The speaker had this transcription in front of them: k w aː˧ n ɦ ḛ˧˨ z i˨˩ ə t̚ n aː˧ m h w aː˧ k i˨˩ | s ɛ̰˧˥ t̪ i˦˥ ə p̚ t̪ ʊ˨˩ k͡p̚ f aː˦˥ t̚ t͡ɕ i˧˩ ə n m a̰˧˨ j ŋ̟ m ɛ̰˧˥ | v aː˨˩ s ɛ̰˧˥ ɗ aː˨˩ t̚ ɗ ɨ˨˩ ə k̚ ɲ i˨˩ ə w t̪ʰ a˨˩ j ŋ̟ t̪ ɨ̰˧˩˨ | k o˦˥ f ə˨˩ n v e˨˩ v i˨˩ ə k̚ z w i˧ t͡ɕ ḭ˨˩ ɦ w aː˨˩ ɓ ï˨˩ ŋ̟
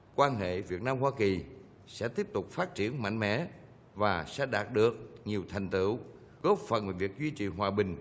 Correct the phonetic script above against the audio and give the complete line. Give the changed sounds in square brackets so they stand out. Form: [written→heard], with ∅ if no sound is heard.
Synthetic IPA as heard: k w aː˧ n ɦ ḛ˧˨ [z→v] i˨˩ ə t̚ n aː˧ m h w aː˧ k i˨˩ | s ɛ̰˧˥ t̪ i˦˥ ə p̚ t̪ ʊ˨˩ k͡p̚ f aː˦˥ t̚ t͡ɕ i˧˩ ə n m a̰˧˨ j ŋ̟ m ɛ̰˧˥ | v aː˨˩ s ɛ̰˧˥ ɗ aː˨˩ t̚ ɗ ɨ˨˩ ə k̚ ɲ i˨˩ ə w t̪ʰ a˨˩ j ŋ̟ t̪ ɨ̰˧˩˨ | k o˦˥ f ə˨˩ n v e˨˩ v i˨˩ ə k̚ z w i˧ t͡ɕ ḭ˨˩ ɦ w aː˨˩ ɓ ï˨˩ ŋ̟

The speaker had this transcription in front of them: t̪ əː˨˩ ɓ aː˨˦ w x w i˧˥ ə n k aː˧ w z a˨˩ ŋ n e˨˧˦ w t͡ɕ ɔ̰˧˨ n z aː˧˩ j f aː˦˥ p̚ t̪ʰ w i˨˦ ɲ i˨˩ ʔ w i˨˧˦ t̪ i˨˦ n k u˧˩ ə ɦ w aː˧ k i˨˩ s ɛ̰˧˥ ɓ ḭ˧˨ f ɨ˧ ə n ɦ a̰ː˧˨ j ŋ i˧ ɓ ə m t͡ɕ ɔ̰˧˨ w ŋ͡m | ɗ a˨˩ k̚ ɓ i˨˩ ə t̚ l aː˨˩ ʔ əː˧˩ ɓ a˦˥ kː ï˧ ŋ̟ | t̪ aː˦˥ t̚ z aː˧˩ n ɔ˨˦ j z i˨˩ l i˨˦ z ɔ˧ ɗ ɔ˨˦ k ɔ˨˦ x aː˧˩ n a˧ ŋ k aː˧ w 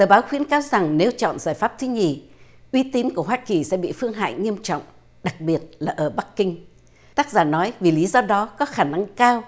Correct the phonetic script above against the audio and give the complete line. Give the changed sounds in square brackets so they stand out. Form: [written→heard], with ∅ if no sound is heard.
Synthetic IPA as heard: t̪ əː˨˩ ɓ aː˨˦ w x w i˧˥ ə n k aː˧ w z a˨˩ ŋ n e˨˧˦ w t͡ɕ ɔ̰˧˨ n z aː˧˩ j f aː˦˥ p̚ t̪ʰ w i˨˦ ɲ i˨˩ ʔ w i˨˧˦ t̪ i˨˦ n k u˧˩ ə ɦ w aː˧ k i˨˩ s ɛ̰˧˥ ɓ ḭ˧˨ f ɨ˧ ə [n→ŋ] ɦ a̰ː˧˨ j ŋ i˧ [ɓ→∅] ə m t͡ɕ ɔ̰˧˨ w ŋ͡m | ɗ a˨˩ k̚ ɓ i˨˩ ə t̚ l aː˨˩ ʔ əː˧˩ ɓ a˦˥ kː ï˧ ŋ̟ | t̪ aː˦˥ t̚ z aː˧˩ n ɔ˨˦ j [z→v] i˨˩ l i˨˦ z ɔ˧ ɗ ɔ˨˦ k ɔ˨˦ x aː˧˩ n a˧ ŋ k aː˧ w

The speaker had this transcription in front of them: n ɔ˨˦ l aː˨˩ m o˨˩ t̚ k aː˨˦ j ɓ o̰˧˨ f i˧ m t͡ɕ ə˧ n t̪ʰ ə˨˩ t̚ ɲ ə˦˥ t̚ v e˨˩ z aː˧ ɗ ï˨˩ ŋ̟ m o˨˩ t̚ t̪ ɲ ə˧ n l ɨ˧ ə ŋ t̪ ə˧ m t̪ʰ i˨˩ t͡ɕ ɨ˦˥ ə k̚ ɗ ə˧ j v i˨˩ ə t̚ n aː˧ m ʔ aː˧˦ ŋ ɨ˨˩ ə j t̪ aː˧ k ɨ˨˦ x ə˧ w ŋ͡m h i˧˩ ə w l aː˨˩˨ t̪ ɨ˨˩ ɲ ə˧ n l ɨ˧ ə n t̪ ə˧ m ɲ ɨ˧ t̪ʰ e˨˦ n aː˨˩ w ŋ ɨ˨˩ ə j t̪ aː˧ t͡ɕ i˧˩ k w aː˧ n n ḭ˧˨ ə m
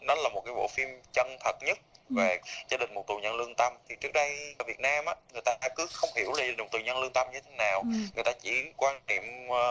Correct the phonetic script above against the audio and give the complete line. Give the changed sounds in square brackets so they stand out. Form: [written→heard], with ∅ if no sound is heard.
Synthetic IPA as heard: n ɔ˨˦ l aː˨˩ m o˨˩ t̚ k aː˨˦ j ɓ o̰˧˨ f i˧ m t͡ɕ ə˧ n t̪ʰ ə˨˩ t̚ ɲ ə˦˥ t̚ v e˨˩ z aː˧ ɗ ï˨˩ ŋ̟ m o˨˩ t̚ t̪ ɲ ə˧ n l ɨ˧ ə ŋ t̪ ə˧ m t̪ʰ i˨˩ t͡ɕ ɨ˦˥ ə k̚ ɗ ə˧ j v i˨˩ ə t̚ n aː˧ m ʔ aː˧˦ ŋ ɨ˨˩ ə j t̪ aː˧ k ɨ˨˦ x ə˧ w ŋ͡m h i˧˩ ə w l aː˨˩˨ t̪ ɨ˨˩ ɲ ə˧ n l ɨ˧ ə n t̪ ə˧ m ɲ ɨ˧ t̪ʰ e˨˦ n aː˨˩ w ŋ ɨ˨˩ ə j t̪ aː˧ t͡ɕ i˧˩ k w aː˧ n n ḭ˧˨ ə m

